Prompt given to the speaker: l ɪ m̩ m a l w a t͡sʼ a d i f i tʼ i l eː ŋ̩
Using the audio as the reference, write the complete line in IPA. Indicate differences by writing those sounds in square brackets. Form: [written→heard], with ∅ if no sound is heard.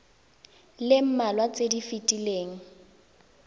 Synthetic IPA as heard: l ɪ m̩ m a l w a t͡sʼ [a→e] d i f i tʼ i l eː ŋ̩